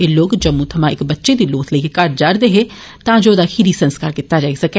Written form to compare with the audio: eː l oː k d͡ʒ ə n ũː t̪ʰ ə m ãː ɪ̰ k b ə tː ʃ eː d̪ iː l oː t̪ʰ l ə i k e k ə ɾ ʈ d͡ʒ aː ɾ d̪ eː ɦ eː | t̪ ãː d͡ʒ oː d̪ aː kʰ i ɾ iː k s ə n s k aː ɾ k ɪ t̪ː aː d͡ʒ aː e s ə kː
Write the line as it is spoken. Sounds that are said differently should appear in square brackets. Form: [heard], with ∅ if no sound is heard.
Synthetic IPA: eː l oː k d͡ʒ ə [m] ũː t̪ʰ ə m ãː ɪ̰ k b ə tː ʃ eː d̪ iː l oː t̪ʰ l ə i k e k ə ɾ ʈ d͡ʒ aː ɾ d̪ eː ɦ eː | t̪ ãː d͡ʒ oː d̪ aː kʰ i ɾ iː [∅] s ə n s k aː ɾ k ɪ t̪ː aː d͡ʒ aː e s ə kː